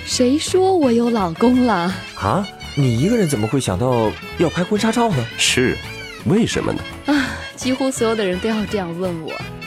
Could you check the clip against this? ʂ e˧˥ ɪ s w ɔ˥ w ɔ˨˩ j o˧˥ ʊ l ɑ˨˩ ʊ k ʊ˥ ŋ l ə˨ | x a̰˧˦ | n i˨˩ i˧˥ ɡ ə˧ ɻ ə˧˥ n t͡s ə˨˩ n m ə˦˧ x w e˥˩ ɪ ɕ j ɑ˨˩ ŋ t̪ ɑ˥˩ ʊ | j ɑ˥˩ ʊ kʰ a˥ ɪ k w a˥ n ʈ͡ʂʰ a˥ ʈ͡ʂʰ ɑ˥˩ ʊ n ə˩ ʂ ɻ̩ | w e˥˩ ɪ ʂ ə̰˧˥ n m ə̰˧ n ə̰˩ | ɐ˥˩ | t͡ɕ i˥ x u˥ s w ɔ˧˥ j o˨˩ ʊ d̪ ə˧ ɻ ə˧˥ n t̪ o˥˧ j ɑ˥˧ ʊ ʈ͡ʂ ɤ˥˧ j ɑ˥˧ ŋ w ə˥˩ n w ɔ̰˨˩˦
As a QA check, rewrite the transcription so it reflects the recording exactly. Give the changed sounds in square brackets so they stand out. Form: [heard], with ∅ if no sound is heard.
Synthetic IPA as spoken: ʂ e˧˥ ɪ [ʂ] w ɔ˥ w ɔ˨˩ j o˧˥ ʊ l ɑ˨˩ ʊ k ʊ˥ ŋ l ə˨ | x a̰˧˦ | n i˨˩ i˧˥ ɡ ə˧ ɻ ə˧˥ n t͡s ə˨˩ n m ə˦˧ x w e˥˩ ɪ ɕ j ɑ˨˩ ŋ t̪ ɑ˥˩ ʊ | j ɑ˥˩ ʊ [pʰ] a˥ ɪ k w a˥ n ʈ͡ʂʰ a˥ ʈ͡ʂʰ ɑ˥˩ ʊ n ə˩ ʂ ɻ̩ | w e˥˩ ɪ ʂ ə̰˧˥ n m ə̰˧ n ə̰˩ | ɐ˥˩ | t͡ɕ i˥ x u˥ s w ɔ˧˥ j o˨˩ ʊ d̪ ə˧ ɻ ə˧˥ n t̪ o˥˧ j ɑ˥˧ ʊ ʈ͡ʂ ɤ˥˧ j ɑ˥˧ ŋ w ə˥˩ n w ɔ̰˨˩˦